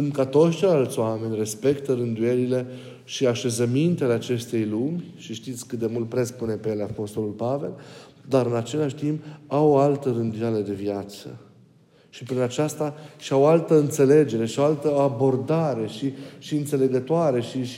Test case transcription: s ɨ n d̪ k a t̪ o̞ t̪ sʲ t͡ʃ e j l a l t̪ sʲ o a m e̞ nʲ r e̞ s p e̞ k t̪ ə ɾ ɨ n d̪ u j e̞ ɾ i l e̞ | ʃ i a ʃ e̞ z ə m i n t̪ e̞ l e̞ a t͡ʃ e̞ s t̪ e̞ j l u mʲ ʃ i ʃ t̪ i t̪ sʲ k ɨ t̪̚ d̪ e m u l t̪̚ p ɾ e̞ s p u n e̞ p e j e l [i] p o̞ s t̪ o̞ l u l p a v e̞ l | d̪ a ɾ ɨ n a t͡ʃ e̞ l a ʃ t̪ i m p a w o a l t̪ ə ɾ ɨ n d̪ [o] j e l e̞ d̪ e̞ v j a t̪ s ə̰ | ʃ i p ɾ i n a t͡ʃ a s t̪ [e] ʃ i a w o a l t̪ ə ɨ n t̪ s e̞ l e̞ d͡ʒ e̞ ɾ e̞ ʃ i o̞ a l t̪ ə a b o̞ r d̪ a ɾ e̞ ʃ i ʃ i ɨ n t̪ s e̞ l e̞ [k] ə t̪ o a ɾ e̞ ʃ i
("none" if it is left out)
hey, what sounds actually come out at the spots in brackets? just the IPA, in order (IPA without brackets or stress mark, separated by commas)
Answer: a, u, a, ɡ